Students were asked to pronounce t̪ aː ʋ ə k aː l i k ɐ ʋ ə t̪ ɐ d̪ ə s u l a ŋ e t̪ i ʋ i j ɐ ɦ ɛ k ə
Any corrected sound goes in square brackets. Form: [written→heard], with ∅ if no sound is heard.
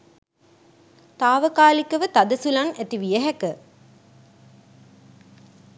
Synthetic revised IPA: t̪ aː ʋ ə k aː l i k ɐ ʋ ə t̪ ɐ d̪ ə s u l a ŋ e t̪ i ʋ i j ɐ ɦ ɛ k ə